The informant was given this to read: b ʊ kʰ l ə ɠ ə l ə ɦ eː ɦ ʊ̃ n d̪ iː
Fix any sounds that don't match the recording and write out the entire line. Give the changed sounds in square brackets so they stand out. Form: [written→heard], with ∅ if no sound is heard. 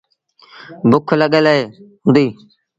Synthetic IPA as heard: b ʊ kʰ l ə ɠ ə l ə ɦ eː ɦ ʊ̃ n d̪ iː

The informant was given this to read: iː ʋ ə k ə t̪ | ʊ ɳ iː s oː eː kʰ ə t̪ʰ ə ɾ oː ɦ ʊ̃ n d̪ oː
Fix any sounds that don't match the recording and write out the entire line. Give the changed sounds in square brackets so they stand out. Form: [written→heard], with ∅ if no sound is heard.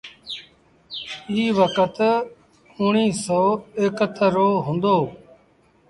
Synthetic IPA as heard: iː ʋ ə k ə t̪ | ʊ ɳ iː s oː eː [kʰ→k] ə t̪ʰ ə ɾ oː ɦ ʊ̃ n d̪ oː

